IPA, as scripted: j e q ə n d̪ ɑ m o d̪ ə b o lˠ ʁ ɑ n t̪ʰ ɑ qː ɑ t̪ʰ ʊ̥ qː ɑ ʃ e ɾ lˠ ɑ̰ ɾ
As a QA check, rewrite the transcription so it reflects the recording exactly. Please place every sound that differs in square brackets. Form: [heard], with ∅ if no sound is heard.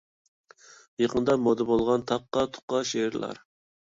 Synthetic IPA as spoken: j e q ə n d̪ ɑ m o d̪ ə b o lˠ ʁ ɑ n t̪ʰ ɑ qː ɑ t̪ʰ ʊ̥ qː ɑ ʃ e ɾ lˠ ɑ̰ ɾ